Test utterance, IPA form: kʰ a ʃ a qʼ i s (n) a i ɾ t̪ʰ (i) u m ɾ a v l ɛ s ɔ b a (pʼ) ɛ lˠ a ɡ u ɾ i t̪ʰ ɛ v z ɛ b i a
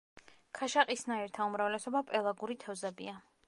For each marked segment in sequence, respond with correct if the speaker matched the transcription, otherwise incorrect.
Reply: correct, incorrect: a, correct

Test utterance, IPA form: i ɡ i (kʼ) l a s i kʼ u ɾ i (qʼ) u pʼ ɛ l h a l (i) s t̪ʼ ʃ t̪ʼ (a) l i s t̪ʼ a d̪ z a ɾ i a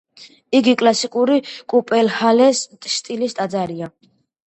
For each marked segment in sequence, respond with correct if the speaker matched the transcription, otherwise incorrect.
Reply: correct, incorrect: kʼ, incorrect: ɛ, incorrect: i

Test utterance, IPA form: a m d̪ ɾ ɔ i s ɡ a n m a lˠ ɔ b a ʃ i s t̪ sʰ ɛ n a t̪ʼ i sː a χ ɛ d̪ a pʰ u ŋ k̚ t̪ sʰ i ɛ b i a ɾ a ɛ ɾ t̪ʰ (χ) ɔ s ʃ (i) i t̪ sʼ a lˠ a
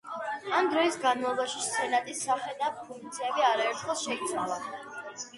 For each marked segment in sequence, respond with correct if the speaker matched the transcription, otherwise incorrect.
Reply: correct, incorrect: ɛ

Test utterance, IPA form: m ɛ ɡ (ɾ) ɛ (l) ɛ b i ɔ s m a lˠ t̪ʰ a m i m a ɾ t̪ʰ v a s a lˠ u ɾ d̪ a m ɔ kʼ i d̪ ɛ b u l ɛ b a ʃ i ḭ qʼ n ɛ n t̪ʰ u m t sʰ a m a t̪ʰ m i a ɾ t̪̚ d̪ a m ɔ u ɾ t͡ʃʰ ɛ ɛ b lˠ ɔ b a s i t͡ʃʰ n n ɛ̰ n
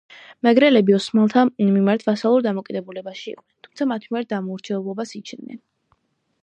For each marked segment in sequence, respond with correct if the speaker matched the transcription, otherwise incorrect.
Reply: correct, correct

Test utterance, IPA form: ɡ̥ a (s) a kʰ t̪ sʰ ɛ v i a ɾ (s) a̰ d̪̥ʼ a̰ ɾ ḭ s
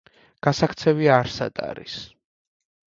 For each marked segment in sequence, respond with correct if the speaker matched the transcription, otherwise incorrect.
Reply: correct, correct

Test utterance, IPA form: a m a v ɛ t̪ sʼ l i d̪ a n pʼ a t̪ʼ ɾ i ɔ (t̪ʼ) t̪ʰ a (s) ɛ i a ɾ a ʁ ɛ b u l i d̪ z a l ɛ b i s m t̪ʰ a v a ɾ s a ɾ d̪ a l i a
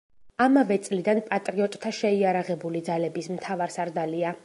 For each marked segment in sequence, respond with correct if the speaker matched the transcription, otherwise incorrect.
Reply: correct, incorrect: ʃ

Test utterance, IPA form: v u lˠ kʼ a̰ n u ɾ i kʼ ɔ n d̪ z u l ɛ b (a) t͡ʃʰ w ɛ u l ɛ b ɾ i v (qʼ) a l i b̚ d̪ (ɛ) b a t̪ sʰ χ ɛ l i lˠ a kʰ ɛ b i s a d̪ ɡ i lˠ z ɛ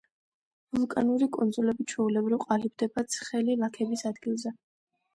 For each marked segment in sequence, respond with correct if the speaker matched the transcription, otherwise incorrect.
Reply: incorrect: i, correct, correct

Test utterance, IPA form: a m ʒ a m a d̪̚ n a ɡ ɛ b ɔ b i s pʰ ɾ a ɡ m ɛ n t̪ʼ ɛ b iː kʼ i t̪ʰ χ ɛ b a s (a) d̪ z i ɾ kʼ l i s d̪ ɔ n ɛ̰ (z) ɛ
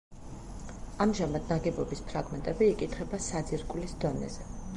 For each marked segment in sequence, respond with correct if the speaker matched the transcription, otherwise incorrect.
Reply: correct, correct

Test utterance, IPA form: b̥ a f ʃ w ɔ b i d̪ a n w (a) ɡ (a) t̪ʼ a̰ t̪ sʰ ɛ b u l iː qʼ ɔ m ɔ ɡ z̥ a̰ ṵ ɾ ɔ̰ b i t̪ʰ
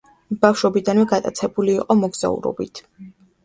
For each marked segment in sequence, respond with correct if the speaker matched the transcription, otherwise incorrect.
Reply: incorrect: ɛ, correct

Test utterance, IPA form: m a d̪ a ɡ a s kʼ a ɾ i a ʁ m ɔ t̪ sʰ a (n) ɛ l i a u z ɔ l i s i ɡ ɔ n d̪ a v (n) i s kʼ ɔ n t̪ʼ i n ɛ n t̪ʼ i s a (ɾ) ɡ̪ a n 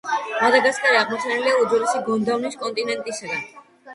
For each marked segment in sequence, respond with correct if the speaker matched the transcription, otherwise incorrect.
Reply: correct, correct, incorrect: none

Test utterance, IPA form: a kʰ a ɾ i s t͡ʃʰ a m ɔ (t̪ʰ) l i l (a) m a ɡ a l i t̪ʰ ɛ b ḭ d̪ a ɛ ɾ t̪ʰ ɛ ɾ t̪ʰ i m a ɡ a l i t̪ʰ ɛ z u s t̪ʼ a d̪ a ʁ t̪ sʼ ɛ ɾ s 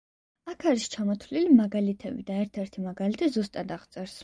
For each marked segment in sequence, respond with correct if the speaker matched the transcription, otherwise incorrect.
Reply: correct, incorrect: i

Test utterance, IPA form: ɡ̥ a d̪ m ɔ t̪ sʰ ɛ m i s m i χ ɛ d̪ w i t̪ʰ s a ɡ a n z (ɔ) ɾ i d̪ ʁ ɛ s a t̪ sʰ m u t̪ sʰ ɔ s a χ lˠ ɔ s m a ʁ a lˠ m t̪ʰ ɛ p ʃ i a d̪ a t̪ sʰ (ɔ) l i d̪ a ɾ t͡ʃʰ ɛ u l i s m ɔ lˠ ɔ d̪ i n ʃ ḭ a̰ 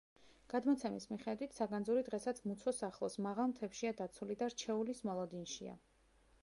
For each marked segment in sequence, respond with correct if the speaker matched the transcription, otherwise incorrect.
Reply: incorrect: u, incorrect: u

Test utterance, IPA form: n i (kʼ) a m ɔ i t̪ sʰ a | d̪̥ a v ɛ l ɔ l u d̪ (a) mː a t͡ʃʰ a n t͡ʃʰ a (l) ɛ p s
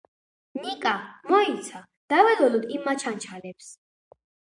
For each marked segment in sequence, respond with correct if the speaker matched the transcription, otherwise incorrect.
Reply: correct, incorrect: i, correct

